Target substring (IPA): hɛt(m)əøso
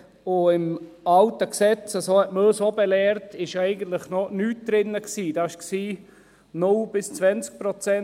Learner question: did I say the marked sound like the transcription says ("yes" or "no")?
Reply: yes